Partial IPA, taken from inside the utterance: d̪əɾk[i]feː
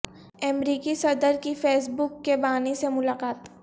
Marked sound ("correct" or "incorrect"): correct